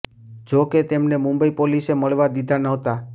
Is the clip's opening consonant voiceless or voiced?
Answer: voiced